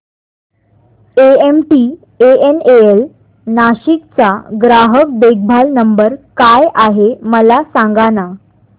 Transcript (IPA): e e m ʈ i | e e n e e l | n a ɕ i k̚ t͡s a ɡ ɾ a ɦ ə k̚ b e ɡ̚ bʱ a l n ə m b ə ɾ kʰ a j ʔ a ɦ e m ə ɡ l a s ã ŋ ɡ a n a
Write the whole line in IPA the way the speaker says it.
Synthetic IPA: e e m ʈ i | e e n e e l | n a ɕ i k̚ t͡s a ɡ ɾ a ɦ ə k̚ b e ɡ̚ bʱ a l n ə m b ə ɾ k a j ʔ a ɦ e m ə l a s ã ŋ ɡ a n a